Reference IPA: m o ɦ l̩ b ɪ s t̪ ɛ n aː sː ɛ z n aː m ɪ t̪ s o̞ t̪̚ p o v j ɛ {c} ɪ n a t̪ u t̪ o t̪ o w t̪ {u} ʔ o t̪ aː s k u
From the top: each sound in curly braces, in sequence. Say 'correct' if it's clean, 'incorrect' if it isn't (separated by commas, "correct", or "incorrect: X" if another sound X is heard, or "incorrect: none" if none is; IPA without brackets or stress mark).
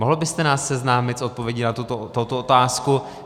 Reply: incorrect: ɟ, incorrect: o